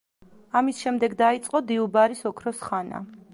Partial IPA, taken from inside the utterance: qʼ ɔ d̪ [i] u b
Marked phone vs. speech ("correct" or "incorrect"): correct